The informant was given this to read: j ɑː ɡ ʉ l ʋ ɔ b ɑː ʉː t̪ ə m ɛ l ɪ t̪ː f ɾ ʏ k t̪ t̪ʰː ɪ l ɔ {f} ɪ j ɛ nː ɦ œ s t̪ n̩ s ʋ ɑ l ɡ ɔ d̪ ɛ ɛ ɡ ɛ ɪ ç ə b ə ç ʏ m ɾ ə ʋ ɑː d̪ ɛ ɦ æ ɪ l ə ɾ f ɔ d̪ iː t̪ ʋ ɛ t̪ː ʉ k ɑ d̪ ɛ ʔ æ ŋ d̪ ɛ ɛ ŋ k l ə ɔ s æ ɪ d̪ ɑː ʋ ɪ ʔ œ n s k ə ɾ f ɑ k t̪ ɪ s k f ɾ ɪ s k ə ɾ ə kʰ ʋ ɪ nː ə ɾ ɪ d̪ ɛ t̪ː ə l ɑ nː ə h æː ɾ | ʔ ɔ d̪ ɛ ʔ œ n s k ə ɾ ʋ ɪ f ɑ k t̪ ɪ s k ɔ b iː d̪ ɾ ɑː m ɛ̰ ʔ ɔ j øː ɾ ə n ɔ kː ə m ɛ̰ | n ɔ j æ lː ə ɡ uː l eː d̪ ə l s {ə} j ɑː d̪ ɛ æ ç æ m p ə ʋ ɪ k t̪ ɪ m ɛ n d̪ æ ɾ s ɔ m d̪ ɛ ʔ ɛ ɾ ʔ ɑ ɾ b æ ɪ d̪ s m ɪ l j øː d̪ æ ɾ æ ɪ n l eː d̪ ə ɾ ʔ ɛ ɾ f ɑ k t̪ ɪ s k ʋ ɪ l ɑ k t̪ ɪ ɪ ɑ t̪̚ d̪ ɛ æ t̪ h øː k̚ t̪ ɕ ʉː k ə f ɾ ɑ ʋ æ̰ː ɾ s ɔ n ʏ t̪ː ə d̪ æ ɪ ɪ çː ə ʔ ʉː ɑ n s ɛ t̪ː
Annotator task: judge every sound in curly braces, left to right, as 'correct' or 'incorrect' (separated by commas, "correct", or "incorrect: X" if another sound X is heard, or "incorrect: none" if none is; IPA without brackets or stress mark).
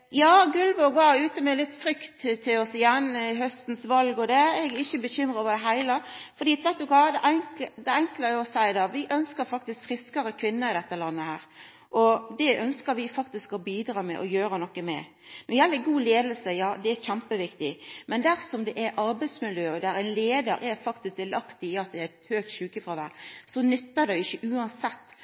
incorrect: s, correct